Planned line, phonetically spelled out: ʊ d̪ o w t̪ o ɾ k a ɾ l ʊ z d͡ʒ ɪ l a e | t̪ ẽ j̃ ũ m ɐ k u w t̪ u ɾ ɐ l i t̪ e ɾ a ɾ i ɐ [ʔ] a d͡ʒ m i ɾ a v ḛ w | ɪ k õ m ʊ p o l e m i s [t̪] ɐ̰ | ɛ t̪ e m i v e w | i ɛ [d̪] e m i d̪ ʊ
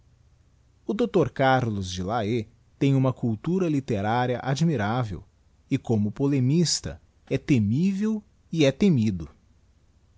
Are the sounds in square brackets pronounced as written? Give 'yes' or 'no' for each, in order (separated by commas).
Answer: yes, yes, no